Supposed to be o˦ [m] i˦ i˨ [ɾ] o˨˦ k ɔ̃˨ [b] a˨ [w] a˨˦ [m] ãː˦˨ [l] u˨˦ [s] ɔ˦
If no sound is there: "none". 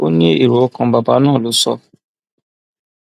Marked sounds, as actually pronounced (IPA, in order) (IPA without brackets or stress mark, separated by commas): n, ɾ, b, b, n, l, s